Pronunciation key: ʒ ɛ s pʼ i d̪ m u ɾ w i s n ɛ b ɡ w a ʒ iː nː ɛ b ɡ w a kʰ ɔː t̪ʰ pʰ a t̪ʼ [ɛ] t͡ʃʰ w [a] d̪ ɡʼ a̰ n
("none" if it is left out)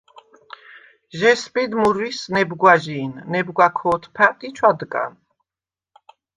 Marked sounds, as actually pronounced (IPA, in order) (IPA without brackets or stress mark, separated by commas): i, a